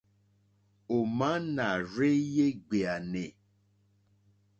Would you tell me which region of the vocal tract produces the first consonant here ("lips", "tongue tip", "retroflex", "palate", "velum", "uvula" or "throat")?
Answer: lips